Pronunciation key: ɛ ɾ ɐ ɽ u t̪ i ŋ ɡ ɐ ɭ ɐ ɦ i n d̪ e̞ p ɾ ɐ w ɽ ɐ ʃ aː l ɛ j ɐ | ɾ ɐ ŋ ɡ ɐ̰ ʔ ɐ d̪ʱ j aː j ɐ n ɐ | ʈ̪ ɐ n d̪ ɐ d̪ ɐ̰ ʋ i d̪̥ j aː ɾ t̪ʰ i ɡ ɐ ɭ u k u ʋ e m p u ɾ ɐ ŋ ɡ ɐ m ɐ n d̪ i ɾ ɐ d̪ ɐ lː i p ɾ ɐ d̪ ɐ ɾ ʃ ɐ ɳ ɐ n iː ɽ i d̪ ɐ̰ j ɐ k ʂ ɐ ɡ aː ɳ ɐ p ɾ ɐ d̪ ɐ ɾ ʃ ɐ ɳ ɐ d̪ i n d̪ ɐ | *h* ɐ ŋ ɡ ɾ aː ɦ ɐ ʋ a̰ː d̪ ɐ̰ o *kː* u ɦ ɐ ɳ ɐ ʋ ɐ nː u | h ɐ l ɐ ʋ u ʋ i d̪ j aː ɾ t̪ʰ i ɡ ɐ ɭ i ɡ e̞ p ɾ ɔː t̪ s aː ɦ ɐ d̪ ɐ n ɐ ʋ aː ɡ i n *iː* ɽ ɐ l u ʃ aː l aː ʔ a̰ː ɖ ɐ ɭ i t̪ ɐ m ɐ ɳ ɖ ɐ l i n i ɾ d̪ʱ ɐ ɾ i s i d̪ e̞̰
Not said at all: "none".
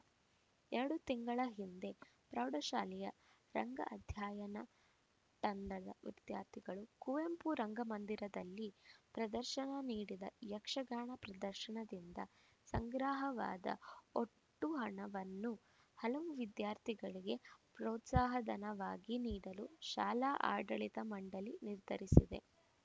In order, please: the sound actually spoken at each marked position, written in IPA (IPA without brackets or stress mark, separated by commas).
s, ʈː, iː